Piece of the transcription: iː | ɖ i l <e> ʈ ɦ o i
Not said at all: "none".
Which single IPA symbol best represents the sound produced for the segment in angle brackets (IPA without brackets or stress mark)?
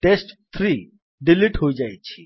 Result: i